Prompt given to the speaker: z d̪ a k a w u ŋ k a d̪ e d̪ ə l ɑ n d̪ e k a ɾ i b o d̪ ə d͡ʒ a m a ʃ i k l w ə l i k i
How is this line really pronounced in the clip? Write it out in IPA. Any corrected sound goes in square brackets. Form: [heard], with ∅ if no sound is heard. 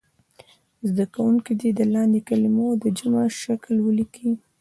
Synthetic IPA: z d̪ a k a w u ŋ k [i] d̪ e d̪ ə l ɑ n d̪ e k a [l] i [m] o d̪ ə d͡ʒ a m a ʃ [a] k l w ə l i k i